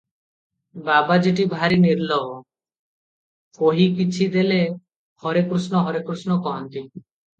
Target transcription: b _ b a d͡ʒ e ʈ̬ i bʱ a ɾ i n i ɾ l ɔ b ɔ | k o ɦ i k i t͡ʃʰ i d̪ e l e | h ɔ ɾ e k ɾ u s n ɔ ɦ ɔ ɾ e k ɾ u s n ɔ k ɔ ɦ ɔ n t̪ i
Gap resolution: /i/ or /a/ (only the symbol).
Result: a